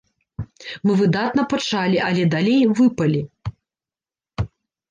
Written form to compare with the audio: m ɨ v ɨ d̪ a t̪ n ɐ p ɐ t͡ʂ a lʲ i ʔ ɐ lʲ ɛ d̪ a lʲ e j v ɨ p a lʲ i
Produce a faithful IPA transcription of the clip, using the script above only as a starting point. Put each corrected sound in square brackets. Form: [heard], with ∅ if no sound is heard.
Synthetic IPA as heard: m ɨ v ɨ d̪ a t̪ n ɐ p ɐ t͡ʂ a lʲ i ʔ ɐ lʲ ɛ d̪ a lʲ e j v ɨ p [ɐ] lʲ i

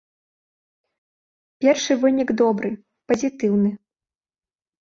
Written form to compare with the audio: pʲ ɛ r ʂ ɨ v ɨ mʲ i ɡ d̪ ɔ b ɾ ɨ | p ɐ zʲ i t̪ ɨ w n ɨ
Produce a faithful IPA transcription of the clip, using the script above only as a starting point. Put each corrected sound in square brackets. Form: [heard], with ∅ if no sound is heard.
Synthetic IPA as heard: pʲ ɛ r ʂ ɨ v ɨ [nʲ] i ɡ d̪ ɔ b ɾ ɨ | p ɐ zʲ i t̪ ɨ w n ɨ

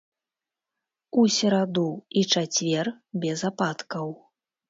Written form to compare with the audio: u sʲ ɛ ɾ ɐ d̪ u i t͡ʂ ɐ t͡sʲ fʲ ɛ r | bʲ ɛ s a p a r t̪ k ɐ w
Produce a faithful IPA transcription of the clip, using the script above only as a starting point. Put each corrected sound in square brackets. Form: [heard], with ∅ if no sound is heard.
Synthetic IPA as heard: u sʲ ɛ ɾ [a] d̪ u i t͡ʂ [a] t͡sʲ [vʲ] ɛ r | bʲ ɛ [z] a p a [∅] t̪ k ɐ w

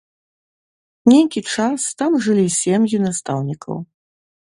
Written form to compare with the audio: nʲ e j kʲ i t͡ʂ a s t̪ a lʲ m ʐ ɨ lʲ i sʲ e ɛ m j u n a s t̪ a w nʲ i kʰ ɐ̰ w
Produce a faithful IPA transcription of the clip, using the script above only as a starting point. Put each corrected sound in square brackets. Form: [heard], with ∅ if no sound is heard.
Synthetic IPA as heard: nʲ e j kʲ i t͡ʂ a s t̪ a [∅] m ʐ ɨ lʲ i sʲ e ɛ m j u n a s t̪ a w nʲ i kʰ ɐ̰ w

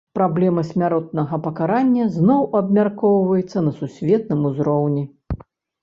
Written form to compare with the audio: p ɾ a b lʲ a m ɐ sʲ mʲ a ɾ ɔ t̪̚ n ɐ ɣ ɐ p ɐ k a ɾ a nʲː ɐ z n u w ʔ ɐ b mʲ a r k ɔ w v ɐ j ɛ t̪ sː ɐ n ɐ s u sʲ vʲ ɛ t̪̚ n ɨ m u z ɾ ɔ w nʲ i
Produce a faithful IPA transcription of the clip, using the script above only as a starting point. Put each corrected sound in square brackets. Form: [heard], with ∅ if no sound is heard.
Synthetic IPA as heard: p ɾ a b lʲ [ɛ] m ɐ sʲ mʲ a ɾ ɔ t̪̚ n ɐ ɣ ɐ p ɐ k a ɾ a nʲː ɐ z n [ɔ] w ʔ ɐ b mʲ a r k ɔ w v ɐ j ɛ t̪ sː ɐ n ɐ s u sʲ vʲ ɛ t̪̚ n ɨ m u z ɾ ɔ w nʲ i

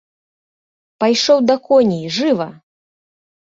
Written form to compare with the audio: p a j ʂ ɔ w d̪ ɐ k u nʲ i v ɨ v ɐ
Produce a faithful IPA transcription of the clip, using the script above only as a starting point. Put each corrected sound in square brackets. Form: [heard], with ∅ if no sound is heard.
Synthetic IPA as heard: p a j ʂ ɔ w d̪ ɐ k [ɔ] nʲ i [ʐ] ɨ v ɐ

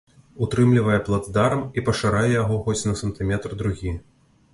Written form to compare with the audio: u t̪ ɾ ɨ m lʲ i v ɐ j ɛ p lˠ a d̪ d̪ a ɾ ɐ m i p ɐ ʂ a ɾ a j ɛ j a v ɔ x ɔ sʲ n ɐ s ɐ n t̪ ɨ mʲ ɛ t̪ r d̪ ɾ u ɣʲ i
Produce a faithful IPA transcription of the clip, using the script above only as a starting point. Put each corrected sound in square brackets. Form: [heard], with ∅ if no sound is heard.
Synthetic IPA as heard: u t̪ ɾ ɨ m lʲ i v ɐ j ɛ p lˠ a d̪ d̪ a ɾ ɐ m i p ɐ ʂ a ɾ a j ɛ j a [ɣ] ɔ x ɔ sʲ n ɐ s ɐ n t̪ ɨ mʲ ɛ t̪ r d̪ ɾ u ɣʲ i

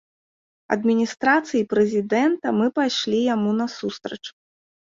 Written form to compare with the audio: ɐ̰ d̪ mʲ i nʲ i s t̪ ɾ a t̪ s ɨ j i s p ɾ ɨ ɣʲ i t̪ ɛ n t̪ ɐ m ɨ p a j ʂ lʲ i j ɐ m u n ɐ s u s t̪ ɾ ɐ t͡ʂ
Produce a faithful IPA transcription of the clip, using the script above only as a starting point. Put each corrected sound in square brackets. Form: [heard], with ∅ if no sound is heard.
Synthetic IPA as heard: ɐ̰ d̪ mʲ i nʲ i s t̪ ɾ a t̪ s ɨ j i [∅] p ɾ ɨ [zʲ] i [d̪] ɛ n t̪ ɐ m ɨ p a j ʂ lʲ i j [a] m u n ɐ s u s t̪ ɾ ɐ t͡ʂ

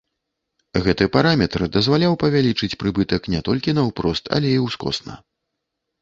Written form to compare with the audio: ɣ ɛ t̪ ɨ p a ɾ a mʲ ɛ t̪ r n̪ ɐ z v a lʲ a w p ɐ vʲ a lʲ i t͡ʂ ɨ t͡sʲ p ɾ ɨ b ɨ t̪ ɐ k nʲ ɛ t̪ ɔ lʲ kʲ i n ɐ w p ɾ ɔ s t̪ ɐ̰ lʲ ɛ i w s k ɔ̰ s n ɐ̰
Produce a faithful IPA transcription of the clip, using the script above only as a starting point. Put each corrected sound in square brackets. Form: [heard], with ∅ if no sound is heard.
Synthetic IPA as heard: ɣ ɛ t̪ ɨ p a ɾ a mʲ ɛ t̪ r [d̪] ɐ z v a lʲ a w p ɐ vʲ a lʲ i t͡ʂ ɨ t͡sʲ p ɾ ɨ b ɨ t̪ ɐ k nʲ ɛ t̪ ɔ lʲ kʲ i n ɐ w p ɾ ɔ s t̪ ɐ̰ lʲ ɛ i w s k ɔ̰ s n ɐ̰

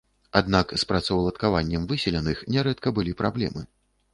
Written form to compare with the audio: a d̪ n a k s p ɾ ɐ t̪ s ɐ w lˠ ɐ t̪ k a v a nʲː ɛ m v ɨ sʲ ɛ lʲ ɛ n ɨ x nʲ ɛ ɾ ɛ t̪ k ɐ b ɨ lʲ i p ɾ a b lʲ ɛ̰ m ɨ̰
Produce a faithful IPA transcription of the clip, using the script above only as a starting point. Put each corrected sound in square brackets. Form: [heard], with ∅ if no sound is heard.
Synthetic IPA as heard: a d̪ n a k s p ɾ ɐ t̪ s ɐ w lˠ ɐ t̪ k a v a nʲː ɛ m v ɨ sʲ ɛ lʲ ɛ n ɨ x nʲ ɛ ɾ ɛ t̪ k ɐ b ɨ lʲ i p ɾ a b lʲ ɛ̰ m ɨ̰

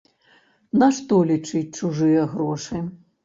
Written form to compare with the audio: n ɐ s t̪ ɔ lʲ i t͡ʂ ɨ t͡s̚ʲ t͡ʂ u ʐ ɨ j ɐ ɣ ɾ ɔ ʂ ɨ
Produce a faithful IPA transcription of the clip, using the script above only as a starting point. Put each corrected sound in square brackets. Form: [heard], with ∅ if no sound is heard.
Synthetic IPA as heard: n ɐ [ʂ] t̪ ɔ lʲ i t͡ʂ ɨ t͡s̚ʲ t͡ʂ u ʐ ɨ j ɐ ɣ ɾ ɔ ʂ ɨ

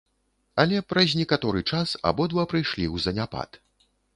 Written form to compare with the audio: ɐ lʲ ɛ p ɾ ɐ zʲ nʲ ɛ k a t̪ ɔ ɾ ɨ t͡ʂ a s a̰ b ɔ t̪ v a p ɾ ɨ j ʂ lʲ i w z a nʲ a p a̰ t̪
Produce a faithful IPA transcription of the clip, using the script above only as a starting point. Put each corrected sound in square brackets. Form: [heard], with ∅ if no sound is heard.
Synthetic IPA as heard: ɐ lʲ ɛ p ɾ ɐ zʲ nʲ ɛ k a t̪ ɔ ɾ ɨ t͡ʂ a s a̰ b ɔ [d̪] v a p ɾ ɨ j ʂ lʲ i w z [ɐ] nʲ a p a̰ t̪

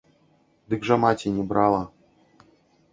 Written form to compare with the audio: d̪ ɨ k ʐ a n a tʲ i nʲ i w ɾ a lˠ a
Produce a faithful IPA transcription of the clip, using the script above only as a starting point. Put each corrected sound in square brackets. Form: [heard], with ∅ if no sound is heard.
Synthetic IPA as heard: d̪ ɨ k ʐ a [m] a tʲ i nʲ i [b] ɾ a lˠ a

